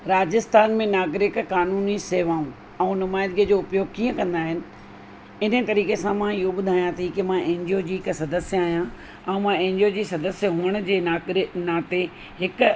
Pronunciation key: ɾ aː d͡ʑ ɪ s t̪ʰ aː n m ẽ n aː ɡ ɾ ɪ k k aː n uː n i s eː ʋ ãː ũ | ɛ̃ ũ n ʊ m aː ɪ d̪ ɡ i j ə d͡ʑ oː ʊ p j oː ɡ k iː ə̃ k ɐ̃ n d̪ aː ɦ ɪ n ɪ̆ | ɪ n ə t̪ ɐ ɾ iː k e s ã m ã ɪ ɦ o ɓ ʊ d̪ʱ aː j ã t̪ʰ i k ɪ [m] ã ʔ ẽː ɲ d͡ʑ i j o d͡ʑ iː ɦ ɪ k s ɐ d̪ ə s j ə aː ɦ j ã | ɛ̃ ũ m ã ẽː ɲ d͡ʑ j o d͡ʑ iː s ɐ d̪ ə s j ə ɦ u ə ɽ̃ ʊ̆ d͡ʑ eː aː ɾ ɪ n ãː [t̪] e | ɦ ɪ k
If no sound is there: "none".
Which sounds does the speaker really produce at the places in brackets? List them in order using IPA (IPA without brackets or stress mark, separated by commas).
m, t̪